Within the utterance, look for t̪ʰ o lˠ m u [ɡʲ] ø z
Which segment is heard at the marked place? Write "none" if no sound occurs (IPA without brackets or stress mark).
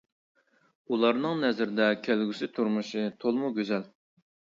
ɡʲ